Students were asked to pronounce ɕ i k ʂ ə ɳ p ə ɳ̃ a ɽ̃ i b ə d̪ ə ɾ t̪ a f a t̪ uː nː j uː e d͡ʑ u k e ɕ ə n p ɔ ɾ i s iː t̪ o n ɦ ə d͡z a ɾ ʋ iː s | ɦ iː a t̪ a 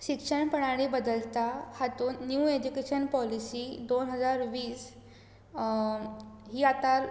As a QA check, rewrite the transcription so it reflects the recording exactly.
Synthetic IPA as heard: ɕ i k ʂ ə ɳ p ə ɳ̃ a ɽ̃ i b ə d̪ ə l t̪ a h a t̪ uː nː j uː e d͡ʑ u k e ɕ ə n p ɔ l i s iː d̪ o n ɦ ə d͡z a ɾ ʋ iː s | ɦ iː a t̪ a